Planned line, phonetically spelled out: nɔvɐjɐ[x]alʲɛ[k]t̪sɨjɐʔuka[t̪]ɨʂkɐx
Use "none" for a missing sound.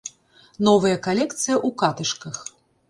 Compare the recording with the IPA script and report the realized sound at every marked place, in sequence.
k, k, t̪

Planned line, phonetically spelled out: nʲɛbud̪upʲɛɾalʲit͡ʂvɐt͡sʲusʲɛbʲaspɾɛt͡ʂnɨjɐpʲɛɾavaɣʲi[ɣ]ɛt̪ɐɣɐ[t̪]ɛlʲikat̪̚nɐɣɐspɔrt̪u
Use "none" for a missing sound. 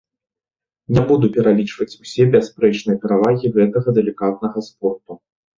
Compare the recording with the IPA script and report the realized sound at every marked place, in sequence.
ɣ, d̪

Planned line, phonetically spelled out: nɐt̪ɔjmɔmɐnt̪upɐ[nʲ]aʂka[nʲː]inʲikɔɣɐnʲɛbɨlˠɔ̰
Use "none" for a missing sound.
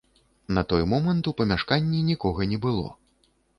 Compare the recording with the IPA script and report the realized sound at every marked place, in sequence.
mʲ, nʲː

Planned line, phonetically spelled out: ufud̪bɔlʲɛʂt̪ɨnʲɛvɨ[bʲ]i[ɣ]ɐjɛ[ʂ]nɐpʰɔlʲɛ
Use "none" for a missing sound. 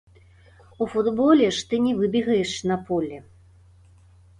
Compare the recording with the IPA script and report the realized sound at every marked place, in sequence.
bʲ, ɣ, ʂ

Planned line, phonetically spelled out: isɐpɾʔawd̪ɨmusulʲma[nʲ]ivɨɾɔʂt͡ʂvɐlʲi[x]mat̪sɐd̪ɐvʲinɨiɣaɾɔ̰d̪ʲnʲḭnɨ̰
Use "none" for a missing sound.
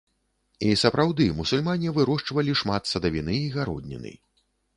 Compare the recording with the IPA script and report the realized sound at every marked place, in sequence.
nʲ, ʂ

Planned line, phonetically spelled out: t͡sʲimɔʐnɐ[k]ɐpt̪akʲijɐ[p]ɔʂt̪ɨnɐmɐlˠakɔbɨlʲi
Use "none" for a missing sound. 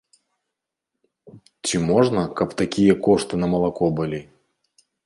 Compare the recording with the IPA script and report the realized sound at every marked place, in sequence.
k, k

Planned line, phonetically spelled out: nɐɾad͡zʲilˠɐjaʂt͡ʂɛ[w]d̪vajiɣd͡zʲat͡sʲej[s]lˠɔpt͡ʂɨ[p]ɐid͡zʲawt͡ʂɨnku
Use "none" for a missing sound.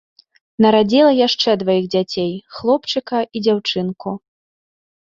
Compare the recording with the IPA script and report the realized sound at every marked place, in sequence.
none, x, k

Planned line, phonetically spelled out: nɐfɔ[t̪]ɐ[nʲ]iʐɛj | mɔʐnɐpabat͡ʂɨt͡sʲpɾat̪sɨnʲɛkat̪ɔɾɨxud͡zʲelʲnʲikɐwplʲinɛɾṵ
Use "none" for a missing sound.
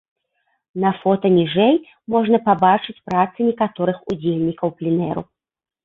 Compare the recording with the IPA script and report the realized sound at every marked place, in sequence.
t̪, nʲ

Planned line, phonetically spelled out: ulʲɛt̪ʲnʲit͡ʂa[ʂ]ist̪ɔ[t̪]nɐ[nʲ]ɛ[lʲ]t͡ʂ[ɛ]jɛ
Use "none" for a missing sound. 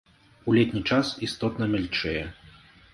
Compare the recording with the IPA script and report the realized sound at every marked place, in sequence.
s, t̪, mʲ, lʲ, ɛ

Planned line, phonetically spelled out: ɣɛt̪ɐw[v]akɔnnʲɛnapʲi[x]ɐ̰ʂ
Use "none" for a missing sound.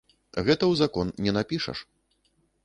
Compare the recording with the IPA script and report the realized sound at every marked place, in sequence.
z, ʂ

